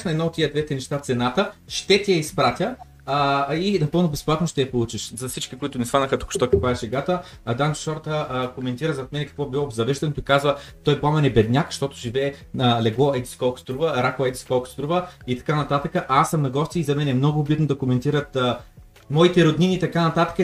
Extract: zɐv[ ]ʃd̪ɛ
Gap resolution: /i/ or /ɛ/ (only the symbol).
ɛ